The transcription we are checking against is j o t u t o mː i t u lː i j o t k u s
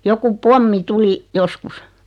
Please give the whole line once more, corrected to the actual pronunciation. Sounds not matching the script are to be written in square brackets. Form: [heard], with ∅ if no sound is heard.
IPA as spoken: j o [k] u [p] o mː i t u [l] i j o [s] k u s